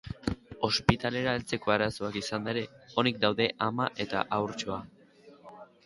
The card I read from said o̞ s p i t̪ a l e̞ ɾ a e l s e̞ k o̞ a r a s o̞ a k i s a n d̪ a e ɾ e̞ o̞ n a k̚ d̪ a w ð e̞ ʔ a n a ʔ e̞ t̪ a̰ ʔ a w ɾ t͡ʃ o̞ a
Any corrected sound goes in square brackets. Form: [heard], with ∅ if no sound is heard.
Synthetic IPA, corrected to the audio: o̞ s p i t̪ a l e̞ ɾ a e l [t͡s] e̞ k o̞ a [ɾ] a s o̞ a k i s a n d̪ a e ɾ e̞ o̞ n [i] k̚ d̪ a w ð e̞ ʔ a [m] a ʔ e̞ t̪ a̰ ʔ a w ɾ t͡ʃ o̞ a

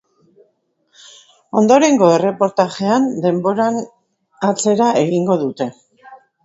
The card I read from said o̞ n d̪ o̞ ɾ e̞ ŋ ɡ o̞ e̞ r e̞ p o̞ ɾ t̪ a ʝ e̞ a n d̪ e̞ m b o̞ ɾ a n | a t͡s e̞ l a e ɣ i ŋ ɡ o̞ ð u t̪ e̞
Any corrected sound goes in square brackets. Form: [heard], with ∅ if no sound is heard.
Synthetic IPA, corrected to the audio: o̞ n d̪ o̞ ɾ e̞ ŋ ɡ o̞ e̞ r e̞ p o̞ ɾ t̪ a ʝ e̞ a n d̪ e̞ m b o̞ ɾ a n | a t͡s e̞ [ɾ] a e ɣ i ŋ ɡ o̞ ð u t̪ e̞

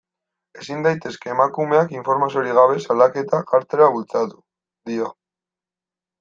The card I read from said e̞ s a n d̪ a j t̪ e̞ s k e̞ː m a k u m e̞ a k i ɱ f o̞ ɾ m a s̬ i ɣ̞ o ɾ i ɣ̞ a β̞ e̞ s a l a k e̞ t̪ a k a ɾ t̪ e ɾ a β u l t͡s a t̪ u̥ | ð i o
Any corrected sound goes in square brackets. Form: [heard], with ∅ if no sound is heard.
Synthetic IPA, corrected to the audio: e̞ s [i] n d̪ a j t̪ e̞ s k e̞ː m a k u m e̞ a k i ɱ f o̞ ɾ m a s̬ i [∅] o ɾ i ɣ̞ a β̞ e̞ s a l a k e̞ t̪ a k a ɾ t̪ e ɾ a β u l t͡s a t̪ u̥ | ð i o

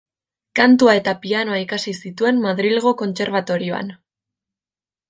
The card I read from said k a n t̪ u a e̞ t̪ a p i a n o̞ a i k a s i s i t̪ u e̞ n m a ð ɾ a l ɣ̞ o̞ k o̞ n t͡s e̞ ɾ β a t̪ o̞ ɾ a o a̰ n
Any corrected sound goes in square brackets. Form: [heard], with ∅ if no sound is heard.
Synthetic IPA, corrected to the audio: k a n t̪ u a e̞ t̪ a p i a n o̞ a i k a s i s i t̪ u e̞ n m a ð ɾ [i] l ɣ̞ o̞ k o̞ n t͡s e̞ ɾ β a t̪ o̞ ɾ [i] o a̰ n

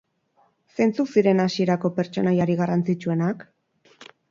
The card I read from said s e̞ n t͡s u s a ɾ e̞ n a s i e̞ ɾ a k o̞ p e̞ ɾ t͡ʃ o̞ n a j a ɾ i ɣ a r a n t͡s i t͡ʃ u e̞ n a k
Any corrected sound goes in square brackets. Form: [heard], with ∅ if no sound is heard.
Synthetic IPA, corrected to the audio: s e̞ n t͡s u s [i] ɾ e̞ n a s i e̞ ɾ a k o̞ p e̞ ɾ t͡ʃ o̞ n a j a ɾ i ɣ a r a n t͡s i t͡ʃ u e̞ n a k

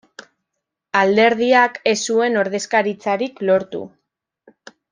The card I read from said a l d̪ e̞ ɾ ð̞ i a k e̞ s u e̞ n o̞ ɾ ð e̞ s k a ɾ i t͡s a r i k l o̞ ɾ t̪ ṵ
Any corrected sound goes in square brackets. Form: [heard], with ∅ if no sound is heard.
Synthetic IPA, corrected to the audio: a l d̪ e̞ ɾ ð̞ i a k e̞ s u e̞ n o̞ ɾ ð e̞ s k a ɾ i t͡s a [ɾ] i k l o̞ ɾ t̪ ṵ

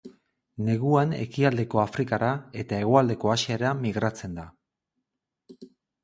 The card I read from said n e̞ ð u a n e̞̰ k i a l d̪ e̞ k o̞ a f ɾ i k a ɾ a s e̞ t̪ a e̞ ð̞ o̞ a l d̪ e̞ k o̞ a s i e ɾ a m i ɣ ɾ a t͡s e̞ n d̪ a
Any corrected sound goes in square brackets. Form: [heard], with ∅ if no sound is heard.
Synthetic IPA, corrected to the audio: n e̞ [ɣ] u a n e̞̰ k i a l d̪ e̞ k o̞ a f ɾ i k a ɾ a [∅] e̞ t̪ a e̞ [ɣ̞] o̞ a l d̪ e̞ k o̞ a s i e ɾ a m i ɣ ɾ a t͡s e̞ n d̪ a

